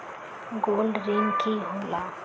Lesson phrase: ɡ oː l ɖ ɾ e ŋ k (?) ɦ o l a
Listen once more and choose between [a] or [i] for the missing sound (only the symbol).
i